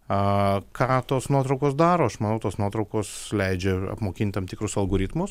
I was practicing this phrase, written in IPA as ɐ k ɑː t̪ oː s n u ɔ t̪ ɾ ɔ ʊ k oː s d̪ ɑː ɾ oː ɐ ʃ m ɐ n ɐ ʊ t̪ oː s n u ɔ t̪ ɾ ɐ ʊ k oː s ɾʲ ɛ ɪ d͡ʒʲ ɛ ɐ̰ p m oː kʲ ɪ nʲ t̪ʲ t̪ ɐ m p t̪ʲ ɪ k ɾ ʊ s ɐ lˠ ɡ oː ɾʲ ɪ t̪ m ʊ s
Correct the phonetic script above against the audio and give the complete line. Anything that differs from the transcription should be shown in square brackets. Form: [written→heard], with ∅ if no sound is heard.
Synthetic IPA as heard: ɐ k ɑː t̪ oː s n u ɔ t̪ ɾ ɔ ʊ k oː s d̪ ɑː ɾ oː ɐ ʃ m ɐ n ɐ ʊ t̪ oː s n u ɔ t̪ ɾ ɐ ʊ k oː s [ɾʲ→lʲ] ɛ ɪ d͡ʒʲ ɛ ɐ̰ p m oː kʲ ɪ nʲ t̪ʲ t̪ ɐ m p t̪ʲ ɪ k ɾ ʊ s ɐ lˠ ɡ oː ɾʲ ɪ t̪ m ʊ s